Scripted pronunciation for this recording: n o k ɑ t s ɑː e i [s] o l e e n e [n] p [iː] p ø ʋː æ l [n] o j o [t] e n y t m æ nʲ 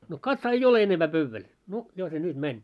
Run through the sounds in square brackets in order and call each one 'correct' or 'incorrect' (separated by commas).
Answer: incorrect, incorrect, incorrect, correct, incorrect